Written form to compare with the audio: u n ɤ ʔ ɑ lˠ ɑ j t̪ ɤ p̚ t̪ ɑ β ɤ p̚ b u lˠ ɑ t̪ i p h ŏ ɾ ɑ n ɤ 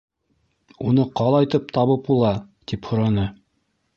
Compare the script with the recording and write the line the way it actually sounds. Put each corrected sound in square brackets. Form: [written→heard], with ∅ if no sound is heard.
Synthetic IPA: u n ɤ [ʔ→q] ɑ lˠ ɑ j t̪ ɤ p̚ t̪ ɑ β ɤ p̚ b u lˠ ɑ t̪ i p h ŏ ɾ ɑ n ɤ

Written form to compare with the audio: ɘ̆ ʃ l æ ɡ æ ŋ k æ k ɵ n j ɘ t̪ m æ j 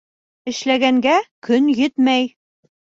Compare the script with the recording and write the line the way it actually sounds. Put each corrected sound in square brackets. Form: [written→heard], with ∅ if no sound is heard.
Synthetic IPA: ɘ̆ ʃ l æ ɡ æ ŋ [k→ɡ] æ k ɵ n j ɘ t̪ m æ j

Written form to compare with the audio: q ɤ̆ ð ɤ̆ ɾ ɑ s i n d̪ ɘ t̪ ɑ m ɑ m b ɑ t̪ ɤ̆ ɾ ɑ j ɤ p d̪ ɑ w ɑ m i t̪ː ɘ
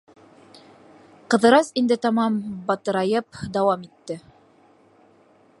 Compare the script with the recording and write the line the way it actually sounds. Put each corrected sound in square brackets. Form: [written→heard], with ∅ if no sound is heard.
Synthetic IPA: q ɤ̆ ð ɤ̆ ɾ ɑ s i n d̪ ɘ t̪ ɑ m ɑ m b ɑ t̪ ɤ̆ ɾ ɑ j ɤ p d̪ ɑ w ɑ m i t̪ː ɘ

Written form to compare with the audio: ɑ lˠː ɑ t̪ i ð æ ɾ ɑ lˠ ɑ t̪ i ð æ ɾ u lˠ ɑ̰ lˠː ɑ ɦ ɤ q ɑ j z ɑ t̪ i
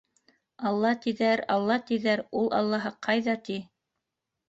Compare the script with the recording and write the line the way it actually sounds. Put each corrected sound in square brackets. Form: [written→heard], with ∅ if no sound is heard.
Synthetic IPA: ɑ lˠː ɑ t̪ i ð æ ɾ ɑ [lˠ→lˠː] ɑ t̪ i ð æ ɾ u lˠ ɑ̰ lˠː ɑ ɦ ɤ q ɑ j [z→ð] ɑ t̪ i

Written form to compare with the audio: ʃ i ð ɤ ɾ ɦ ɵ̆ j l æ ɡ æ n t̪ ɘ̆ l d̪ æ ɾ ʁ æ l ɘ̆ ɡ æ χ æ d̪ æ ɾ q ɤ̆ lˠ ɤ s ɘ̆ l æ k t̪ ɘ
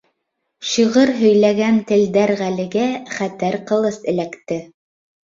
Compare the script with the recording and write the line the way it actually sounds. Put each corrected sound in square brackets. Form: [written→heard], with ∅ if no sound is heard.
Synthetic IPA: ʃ i [ð→ʁ] ɤ ɾ ɦ ɵ̆ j l æ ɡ æ n t̪ ɘ̆ l d̪ æ ɾ ʁ æ l ɘ̆ ɡ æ χ æ [d̪→t̪] æ ɾ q ɤ̆ lˠ ɤ s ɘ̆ l æ k t̪ ɘ

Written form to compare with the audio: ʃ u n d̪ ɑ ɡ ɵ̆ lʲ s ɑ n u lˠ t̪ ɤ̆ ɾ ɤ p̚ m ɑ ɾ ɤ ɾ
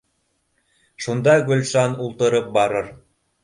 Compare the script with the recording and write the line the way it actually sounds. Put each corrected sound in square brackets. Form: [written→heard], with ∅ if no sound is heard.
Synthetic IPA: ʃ u n d̪ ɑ ɡ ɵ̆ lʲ [s→ʃ] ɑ n u lˠ t̪ ɤ̆ ɾ ɤ p̚ [m→b] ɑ ɾ ɤ ɾ

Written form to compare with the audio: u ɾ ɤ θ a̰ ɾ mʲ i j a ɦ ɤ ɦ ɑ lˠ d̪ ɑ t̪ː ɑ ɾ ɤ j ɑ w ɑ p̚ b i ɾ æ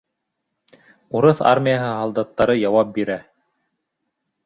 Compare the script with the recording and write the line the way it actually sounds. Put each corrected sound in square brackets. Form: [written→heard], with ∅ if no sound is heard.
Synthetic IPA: u ɾ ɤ θ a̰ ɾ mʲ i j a ɦ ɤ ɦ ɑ lˠ d̪ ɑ t̪ː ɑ ɾ ɤ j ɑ w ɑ p̚ b i ɾ æ

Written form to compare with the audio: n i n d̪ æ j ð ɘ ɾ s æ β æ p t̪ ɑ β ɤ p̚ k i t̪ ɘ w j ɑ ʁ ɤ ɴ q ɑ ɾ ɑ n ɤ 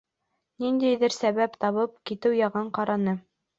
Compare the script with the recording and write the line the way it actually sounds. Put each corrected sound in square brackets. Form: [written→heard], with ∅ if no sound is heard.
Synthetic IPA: n i n d̪ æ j ð ɘ ɾ s æ β æ p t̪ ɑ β ɤ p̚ k i t̪ ɘ w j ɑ ʁ ɤ ɴ q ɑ ɾ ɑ n ɤ

